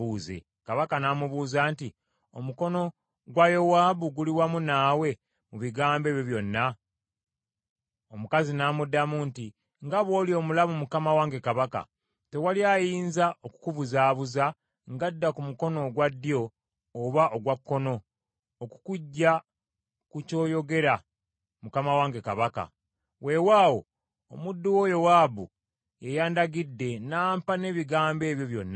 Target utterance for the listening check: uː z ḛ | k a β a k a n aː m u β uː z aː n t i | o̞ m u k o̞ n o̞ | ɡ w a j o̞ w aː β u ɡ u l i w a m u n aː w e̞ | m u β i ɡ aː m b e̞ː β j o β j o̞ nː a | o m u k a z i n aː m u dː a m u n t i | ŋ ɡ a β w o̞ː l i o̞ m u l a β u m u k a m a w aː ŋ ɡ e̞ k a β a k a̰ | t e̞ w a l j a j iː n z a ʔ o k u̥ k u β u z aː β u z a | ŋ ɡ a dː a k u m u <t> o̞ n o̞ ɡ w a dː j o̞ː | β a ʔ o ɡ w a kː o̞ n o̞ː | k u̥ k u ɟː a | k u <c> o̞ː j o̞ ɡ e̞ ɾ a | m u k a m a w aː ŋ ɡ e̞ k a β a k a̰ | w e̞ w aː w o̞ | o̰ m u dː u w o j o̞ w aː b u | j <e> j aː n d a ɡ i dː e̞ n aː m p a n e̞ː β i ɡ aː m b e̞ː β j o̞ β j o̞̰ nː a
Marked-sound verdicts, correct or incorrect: incorrect: k, correct, correct

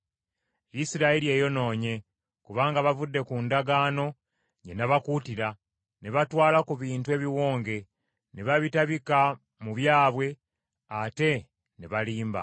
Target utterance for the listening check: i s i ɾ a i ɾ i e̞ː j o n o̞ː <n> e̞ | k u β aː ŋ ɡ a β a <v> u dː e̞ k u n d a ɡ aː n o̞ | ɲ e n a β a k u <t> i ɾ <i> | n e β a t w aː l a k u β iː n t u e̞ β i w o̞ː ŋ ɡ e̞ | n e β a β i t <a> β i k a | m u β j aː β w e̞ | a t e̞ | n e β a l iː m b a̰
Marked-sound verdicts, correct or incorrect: incorrect: ɲ, correct, correct, incorrect: a, correct

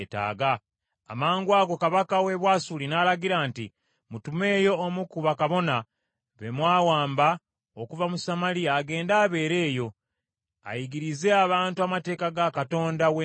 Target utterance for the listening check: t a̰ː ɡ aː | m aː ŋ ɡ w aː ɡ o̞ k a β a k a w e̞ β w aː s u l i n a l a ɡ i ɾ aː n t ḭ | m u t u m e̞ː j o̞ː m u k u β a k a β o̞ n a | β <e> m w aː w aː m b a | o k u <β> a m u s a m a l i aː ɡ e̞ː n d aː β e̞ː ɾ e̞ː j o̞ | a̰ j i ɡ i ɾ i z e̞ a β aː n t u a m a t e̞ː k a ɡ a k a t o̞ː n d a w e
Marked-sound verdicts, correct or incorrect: correct, incorrect: v

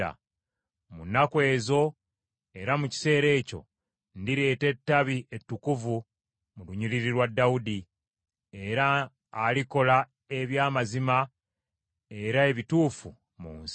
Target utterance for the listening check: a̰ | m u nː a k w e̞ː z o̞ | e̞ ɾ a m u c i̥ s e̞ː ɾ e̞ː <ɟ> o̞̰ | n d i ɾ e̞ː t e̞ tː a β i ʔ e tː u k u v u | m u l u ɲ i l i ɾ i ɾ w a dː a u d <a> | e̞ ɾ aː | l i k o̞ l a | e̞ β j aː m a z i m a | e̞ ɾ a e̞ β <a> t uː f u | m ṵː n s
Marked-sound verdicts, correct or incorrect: incorrect: c, incorrect: i, incorrect: i

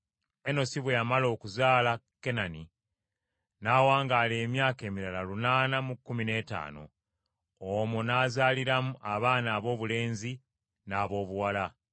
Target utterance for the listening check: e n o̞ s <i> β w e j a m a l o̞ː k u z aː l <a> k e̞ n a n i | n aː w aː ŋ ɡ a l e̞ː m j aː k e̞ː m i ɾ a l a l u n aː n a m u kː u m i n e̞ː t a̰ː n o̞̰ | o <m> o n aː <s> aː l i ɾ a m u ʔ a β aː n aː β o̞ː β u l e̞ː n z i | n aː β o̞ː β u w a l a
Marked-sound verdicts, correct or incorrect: correct, correct, correct, incorrect: z

